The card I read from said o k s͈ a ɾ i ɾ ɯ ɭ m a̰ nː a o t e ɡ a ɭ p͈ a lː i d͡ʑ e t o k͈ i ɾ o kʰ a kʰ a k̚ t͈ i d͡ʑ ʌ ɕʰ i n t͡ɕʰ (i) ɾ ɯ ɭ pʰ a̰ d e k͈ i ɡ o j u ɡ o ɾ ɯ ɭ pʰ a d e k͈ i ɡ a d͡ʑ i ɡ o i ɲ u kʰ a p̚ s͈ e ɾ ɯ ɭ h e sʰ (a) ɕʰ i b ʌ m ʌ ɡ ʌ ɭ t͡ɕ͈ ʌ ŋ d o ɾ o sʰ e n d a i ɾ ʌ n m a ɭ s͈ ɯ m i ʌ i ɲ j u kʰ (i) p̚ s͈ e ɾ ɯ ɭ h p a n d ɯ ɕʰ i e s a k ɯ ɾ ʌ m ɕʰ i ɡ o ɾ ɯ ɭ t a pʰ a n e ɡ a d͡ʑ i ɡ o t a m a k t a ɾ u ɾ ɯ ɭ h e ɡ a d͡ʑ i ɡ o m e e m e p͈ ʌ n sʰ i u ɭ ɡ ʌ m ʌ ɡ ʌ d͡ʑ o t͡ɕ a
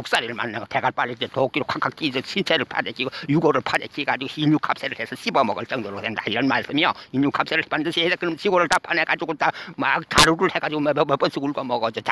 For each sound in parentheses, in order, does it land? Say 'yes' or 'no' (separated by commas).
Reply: no, no, no